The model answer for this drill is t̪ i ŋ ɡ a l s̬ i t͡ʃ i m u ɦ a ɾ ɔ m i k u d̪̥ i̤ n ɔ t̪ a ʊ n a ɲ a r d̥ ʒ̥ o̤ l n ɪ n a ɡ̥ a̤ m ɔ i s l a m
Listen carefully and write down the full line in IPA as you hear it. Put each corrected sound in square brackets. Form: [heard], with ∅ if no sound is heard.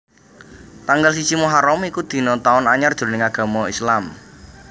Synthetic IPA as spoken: t̪ [a] ŋ ɡ a l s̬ i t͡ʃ i m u ɦ a ɾ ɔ m i k u d̪̥ i̤ n ɔ t̪ a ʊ n a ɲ a r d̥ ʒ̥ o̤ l n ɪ [ŋ] a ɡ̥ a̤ m ɔ i s l a m